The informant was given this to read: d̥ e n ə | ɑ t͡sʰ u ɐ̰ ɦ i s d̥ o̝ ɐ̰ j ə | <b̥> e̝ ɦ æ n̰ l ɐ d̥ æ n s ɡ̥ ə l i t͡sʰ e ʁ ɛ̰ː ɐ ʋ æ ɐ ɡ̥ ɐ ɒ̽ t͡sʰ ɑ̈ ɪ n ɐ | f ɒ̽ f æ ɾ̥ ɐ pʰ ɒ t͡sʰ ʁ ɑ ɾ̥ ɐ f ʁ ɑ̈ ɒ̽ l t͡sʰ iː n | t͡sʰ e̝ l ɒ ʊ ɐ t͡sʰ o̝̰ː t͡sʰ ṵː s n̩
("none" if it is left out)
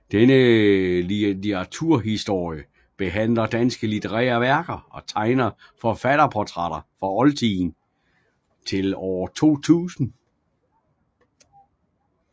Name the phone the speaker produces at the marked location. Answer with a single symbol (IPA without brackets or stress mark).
b̥